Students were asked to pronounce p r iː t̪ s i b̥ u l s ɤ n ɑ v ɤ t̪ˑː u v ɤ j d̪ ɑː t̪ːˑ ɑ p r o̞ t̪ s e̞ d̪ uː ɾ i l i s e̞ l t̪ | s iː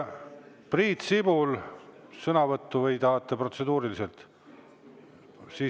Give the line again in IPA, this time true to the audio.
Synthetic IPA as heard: p r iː t̪ s i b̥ u l s ɤ n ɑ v ɤ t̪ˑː u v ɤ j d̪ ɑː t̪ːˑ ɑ p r o̞ t̪ s e̞ d̪ uː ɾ i l i s e̞ l t̪ | s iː